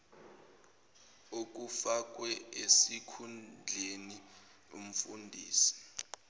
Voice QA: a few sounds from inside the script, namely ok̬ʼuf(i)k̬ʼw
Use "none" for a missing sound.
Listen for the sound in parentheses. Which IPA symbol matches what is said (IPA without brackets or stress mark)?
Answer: a